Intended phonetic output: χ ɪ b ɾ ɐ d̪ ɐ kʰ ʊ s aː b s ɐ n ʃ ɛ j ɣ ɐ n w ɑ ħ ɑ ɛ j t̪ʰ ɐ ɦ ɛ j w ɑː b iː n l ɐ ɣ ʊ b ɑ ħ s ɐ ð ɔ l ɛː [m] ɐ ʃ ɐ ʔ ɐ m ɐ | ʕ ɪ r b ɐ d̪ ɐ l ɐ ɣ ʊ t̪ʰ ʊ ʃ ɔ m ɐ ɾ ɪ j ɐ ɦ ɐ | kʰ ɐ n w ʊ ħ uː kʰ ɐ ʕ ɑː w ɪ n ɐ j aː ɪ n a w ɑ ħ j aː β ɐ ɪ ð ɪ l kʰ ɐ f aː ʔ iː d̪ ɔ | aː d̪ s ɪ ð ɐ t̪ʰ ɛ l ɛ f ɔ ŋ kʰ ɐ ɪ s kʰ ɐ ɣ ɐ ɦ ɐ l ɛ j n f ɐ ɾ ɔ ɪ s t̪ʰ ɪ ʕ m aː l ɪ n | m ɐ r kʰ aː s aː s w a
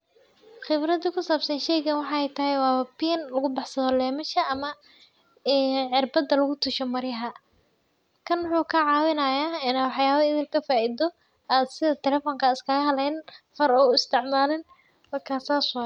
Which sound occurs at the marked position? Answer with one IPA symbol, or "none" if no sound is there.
m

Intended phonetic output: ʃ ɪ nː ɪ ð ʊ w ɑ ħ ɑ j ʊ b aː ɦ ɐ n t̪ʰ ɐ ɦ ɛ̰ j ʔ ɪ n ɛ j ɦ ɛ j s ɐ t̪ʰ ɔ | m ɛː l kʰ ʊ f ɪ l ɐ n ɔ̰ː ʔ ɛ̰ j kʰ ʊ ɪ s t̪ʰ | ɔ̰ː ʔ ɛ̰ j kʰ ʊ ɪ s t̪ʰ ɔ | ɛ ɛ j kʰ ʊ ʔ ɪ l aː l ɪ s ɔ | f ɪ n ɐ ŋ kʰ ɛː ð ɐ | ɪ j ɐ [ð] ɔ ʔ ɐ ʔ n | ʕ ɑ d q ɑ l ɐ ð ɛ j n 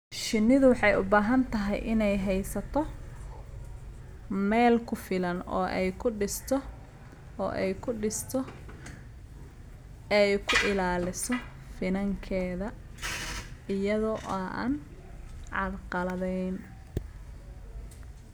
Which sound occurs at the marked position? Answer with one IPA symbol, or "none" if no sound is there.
ð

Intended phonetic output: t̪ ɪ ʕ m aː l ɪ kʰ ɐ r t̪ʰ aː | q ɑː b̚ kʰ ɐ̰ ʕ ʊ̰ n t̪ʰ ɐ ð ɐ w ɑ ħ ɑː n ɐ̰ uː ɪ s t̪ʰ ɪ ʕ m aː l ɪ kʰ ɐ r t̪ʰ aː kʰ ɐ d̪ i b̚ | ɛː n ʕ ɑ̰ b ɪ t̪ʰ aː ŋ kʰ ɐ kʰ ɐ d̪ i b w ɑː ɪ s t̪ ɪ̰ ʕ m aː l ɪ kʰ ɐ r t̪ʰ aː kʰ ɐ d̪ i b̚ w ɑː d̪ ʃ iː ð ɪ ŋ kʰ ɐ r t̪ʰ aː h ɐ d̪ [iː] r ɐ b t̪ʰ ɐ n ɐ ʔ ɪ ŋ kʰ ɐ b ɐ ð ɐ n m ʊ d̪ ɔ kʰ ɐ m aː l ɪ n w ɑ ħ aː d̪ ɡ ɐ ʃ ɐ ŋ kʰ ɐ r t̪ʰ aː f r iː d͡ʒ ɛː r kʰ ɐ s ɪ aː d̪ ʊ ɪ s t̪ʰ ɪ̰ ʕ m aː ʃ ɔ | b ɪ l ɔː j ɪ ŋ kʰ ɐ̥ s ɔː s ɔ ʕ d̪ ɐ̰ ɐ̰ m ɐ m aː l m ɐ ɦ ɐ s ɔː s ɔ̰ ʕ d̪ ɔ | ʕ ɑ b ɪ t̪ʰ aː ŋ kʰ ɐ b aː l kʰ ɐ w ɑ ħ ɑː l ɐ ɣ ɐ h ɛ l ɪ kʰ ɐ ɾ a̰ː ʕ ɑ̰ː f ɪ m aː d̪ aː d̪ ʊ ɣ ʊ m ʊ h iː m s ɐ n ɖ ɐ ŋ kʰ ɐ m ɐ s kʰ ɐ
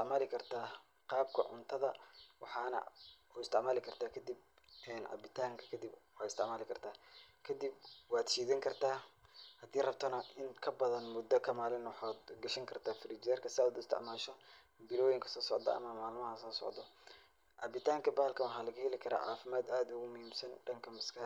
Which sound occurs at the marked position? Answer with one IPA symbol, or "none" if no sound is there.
iː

